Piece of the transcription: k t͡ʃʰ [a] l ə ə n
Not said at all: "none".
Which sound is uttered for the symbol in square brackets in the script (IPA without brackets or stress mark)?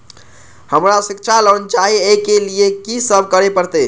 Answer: a